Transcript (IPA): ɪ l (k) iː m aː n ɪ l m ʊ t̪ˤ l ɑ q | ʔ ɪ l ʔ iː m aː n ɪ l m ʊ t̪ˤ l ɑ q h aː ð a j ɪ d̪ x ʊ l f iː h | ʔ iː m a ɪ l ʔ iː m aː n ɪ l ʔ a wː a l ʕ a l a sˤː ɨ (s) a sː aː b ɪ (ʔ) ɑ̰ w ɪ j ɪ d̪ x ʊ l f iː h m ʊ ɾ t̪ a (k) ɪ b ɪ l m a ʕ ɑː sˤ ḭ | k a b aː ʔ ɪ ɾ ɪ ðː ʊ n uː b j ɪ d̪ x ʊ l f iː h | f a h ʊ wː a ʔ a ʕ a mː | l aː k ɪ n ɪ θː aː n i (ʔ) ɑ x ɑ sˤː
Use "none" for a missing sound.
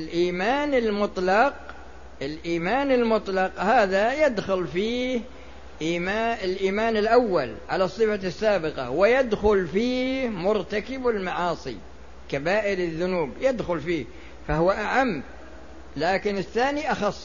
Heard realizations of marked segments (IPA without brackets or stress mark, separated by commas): ʔ, f, q, k, ʔ